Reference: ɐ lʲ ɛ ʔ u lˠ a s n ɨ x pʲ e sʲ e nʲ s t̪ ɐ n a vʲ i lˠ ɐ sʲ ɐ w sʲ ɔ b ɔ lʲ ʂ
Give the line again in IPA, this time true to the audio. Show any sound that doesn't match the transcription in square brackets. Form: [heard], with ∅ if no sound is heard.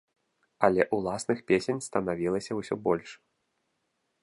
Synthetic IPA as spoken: ɐ lʲ ɛ ʔ u lˠ a s n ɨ x pʲ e sʲ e nʲ s t̪ ɐ n a vʲ i lˠ ɐ sʲ ɐ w sʲ ɔ b ɔ lʲ ʂ